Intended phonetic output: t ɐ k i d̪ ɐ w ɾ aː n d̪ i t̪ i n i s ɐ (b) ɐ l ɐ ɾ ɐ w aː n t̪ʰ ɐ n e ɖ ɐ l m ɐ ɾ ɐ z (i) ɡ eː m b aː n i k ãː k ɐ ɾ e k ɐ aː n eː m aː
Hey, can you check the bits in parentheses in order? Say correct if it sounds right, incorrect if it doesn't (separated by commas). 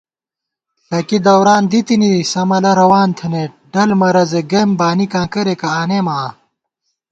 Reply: incorrect, incorrect